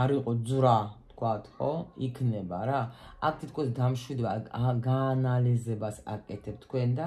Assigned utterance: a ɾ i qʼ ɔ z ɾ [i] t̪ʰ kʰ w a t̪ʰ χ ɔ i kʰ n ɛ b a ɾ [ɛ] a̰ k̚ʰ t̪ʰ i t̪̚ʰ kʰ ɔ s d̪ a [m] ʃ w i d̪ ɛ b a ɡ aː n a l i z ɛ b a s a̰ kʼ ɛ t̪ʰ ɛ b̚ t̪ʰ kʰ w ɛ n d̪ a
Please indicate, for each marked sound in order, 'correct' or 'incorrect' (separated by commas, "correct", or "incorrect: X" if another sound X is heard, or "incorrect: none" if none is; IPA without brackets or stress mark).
incorrect: a, incorrect: a, correct